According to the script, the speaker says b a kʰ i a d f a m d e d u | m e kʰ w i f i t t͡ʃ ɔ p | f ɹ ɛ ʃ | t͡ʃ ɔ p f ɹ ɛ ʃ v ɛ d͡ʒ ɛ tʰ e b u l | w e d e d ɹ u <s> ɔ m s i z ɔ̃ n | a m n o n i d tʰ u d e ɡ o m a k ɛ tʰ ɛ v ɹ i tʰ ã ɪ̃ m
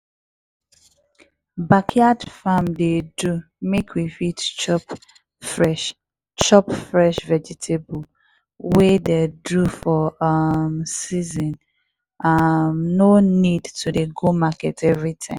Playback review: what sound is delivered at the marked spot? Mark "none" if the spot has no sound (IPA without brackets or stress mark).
f